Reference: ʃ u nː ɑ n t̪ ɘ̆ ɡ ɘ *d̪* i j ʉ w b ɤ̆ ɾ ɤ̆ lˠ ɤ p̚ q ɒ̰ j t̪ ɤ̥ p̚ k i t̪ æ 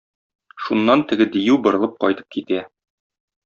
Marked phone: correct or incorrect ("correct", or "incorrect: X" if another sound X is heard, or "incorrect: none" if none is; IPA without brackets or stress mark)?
correct